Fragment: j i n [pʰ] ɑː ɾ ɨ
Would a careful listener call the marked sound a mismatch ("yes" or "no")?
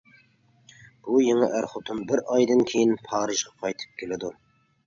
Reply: no